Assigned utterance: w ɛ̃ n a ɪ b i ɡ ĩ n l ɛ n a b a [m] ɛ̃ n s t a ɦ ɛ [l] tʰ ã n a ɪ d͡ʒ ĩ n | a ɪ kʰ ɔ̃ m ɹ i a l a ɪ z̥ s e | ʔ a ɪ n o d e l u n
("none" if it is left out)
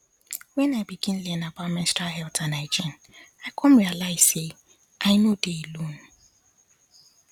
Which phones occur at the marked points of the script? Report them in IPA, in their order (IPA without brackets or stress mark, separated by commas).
m, l